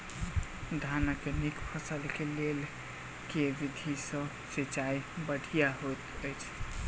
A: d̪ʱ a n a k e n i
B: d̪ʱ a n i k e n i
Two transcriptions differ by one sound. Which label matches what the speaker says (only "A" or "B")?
A